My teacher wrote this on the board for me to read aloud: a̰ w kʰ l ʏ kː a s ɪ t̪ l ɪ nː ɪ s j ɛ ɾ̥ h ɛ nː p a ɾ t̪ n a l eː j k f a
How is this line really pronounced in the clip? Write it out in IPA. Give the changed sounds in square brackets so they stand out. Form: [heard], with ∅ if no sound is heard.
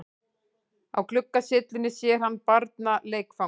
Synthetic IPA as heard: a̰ w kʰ l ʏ kː a s ɪ t̪ l ɪ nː ɪ s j ɛ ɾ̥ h [a] nː p a ɾ t̪ n a l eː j k f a

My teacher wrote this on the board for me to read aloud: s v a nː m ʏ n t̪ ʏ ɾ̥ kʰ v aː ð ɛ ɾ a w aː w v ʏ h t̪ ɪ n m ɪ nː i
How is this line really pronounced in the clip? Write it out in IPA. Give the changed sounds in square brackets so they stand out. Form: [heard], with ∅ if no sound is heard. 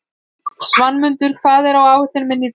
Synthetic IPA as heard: s v a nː m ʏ n t̪ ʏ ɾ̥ kʰ v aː ð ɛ ɾ a w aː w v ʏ h t̪ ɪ n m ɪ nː i

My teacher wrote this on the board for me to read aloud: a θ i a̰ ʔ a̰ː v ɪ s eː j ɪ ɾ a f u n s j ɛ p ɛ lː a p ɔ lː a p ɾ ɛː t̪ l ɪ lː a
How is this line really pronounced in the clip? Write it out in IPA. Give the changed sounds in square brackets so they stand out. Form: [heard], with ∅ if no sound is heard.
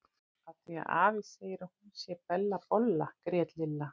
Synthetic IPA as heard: a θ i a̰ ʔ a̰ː v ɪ s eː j ɪ ɾ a [h] u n s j ɛ p ɛ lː a p ɔ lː a [k] ɾ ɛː t̪ l ɪ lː a

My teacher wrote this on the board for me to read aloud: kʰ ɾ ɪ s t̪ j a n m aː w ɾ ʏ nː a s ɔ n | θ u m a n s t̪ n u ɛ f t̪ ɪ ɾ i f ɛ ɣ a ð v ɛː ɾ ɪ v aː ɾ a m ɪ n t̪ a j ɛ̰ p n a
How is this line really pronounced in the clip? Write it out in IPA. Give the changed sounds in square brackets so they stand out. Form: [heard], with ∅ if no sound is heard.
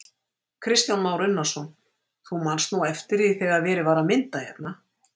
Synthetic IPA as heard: kʰ ɾ ɪ s t̪ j a n m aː w ɾ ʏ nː a s ɔ n | θ u m a n s t̪ n u ɛ f t̪ ɪ ɾ i [θ] ɛ ɣ a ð v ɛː ɾ ɪ v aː ɾ a m ɪ n t̪ a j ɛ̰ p n a

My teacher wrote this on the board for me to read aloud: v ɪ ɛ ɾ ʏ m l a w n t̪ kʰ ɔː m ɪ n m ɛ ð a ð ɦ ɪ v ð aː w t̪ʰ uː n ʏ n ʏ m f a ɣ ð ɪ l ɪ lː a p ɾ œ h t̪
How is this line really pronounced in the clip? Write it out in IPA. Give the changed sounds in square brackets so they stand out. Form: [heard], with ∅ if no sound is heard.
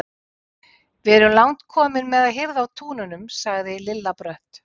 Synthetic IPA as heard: v ɪ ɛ ɾ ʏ m l a w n t̪ kʰ ɔː m ɪ n m ɛ ð a ð ɦ ɪ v ð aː w t̪ʰ uː n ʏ n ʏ m [s] a ɣ ð ɪ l ɪ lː a p ɾ œ h t̪

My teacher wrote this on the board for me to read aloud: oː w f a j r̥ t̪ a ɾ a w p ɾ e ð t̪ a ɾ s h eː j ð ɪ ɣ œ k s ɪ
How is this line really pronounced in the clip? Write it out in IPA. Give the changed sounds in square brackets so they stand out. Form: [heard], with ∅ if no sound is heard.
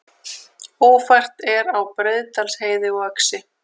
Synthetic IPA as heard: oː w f a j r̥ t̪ [ɛ] ɾ a w p ɾ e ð t̪ a [l] s h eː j ð ɪ ɣ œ k s ɪ

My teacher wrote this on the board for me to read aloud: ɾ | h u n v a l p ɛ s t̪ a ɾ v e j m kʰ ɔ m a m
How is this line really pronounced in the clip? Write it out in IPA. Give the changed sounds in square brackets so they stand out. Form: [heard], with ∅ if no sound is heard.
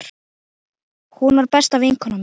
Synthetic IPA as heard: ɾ | h u n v a [ɾ] p ɛ s t̪ a [∅] v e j [ŋ] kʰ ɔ [n] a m

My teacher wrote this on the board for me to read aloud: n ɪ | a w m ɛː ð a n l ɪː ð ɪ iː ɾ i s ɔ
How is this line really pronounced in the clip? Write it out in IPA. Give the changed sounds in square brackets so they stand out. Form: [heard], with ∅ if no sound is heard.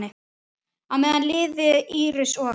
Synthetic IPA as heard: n ɪ | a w m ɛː ð a n l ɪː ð ɪ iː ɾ [ɪ] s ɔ

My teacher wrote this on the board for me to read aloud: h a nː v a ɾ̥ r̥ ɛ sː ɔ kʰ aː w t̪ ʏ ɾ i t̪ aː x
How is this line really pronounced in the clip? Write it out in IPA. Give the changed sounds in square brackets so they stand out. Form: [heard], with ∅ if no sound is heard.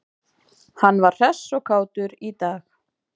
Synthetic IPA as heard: h a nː v a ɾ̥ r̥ ɛ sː ɔ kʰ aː w t̪ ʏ ɾ i t̪ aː x

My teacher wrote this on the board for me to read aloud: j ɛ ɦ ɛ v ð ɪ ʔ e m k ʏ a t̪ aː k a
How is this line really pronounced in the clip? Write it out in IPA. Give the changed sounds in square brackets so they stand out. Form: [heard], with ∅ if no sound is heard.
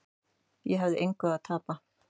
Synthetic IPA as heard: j ɛ ɦ [a] v ð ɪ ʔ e [ŋ] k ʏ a [t̪ʰ] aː [p] a

